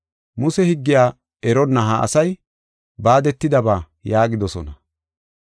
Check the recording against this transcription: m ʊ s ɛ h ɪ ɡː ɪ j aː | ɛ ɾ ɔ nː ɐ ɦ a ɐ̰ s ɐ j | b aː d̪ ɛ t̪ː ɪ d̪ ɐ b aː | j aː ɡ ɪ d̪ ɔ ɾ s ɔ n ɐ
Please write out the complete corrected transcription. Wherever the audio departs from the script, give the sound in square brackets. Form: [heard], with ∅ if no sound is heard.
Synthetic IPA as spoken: m ʊ s ɛ h ɪ ɡː ɪ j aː | ɛ ɾ ɔ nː ɐ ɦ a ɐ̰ s ɐ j | b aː d̪ ɛ t̪ː ɪ d̪ ɐ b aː | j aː ɡ ɪ d̪ ɔ [∅] s ɔ n ɐ